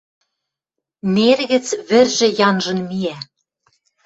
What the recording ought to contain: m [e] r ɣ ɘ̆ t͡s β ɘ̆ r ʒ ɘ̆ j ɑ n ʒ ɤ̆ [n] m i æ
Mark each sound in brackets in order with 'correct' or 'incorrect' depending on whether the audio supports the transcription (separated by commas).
correct, correct